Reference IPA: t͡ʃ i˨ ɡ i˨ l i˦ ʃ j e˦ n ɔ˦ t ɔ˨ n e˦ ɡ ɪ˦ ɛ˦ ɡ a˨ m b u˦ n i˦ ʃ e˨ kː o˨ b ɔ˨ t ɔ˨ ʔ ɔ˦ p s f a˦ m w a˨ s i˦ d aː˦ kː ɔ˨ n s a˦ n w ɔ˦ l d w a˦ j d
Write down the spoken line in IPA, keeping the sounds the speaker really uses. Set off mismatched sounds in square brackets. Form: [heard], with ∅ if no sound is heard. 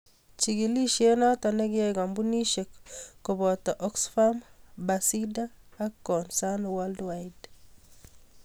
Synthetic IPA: t͡ʃ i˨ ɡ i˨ l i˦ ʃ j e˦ n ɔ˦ t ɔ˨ n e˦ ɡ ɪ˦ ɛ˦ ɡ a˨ m b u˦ n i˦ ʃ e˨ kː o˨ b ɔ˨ t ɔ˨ ʔ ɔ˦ [k] s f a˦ m [b] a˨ s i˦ d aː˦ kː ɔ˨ n s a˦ n w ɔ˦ l d w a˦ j d